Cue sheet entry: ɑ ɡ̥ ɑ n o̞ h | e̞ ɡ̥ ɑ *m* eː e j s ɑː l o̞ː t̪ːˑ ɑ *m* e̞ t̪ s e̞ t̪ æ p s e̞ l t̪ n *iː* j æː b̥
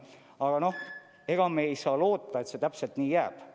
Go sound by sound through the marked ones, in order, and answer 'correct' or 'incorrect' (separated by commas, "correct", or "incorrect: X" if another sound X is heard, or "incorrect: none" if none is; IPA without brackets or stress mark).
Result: correct, incorrect: none, correct